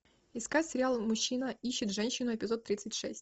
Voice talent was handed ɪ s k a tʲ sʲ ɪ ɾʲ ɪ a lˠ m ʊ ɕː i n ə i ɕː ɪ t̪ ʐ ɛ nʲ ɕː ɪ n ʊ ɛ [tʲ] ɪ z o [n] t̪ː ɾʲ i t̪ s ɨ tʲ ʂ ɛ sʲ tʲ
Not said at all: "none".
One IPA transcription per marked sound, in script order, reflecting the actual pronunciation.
pʲ, none

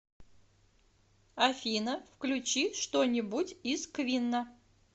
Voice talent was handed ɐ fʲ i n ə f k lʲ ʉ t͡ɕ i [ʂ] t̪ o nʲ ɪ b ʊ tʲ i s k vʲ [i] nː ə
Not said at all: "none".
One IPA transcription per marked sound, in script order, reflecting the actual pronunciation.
ʂ, i

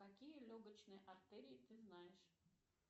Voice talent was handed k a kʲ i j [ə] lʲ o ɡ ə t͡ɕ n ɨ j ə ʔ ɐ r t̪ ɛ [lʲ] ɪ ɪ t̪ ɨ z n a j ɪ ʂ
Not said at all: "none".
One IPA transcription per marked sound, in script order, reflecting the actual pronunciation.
ə, ɾʲ

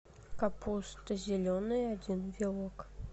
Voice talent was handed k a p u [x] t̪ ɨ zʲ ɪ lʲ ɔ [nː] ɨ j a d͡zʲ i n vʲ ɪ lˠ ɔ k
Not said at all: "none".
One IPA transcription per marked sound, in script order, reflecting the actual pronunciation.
s, n

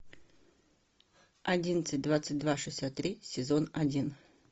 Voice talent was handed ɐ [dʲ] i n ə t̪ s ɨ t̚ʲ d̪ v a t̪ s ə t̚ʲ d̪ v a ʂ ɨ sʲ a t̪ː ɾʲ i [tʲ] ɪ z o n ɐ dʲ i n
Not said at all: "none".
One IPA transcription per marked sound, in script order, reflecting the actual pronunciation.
dʲ, sʲ

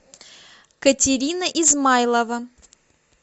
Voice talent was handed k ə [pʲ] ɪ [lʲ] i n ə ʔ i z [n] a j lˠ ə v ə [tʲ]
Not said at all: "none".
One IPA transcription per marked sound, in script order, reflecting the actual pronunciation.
tʲ, ɾʲ, m, none

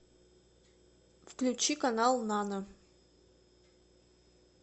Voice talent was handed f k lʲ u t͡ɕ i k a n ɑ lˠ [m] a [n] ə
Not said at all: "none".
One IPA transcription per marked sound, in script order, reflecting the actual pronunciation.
n, n

